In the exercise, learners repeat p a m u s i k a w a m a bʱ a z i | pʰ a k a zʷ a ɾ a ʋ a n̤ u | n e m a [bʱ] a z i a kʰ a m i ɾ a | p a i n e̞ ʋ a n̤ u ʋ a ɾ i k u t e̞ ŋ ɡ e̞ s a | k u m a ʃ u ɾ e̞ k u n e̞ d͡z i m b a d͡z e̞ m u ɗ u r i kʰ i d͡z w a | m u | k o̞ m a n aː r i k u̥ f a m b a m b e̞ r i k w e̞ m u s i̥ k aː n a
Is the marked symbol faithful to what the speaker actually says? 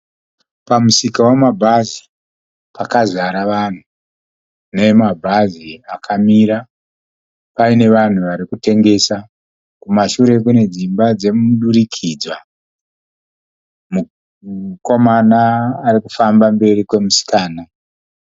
yes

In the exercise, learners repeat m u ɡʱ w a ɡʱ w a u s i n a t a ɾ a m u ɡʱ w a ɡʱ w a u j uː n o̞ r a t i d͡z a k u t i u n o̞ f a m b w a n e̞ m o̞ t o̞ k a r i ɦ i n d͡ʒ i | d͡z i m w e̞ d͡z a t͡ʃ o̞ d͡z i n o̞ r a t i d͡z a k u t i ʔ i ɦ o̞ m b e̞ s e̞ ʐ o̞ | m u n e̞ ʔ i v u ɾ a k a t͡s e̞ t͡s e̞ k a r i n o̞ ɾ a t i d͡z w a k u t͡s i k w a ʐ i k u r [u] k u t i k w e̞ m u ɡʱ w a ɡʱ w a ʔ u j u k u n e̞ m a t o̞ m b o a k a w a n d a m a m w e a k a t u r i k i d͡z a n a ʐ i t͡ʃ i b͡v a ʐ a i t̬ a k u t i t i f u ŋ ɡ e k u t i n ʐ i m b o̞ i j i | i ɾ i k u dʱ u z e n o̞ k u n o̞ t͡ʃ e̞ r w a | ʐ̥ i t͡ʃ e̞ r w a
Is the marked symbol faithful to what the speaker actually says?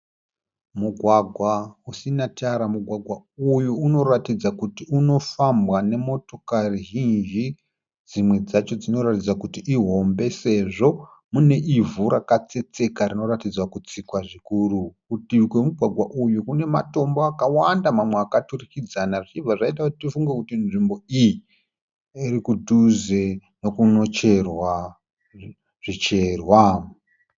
yes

